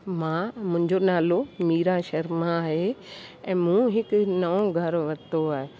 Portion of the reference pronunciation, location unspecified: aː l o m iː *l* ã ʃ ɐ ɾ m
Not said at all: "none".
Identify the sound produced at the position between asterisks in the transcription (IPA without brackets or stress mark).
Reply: ɾ